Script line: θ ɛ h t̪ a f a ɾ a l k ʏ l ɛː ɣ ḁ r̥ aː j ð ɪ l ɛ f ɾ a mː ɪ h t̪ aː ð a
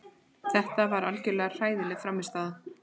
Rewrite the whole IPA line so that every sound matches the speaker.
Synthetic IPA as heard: θ ɛ h t̪ a v a ɾ a l c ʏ l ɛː ɣ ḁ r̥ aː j ð ɪ l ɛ f ɾ a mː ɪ s t̪ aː ð a